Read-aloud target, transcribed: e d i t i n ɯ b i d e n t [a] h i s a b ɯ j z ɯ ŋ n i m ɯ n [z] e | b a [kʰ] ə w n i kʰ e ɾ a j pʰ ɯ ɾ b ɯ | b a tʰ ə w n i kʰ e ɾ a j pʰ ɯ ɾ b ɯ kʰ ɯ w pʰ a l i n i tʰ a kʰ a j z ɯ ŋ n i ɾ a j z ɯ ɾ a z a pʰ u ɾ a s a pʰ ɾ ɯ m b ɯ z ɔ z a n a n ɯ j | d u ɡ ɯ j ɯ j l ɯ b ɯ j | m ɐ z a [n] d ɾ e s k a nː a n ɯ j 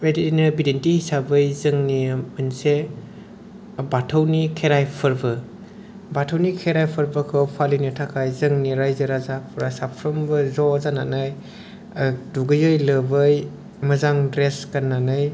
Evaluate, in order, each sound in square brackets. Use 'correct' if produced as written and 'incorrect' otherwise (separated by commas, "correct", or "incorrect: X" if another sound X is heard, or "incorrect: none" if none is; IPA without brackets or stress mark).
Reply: incorrect: i, incorrect: s, incorrect: tʰ, incorrect: ŋ